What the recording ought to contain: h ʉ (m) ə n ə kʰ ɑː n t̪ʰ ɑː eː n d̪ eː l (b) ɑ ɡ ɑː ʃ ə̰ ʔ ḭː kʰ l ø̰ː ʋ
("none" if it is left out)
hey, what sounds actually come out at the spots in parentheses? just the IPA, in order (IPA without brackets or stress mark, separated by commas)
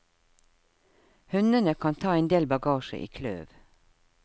n, b